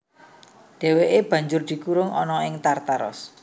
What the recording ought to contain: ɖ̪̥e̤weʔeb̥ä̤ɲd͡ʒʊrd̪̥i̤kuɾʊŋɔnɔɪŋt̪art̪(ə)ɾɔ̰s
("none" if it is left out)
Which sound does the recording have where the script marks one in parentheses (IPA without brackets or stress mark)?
a